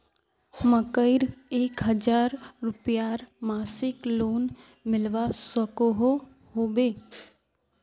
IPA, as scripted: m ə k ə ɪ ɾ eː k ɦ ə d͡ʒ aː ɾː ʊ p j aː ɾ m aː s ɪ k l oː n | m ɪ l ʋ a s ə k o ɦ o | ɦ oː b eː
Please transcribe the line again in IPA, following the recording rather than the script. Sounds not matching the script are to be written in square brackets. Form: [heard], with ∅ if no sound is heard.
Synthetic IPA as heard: m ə k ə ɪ ɾ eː k ɦ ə d͡ʒ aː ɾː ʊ p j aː ɾ m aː s ɪ k l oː n | m ɪ l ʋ a s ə k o ɦ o | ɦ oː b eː